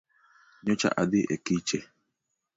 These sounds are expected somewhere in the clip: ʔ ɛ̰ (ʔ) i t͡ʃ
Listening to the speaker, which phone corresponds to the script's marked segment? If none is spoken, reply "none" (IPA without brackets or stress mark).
k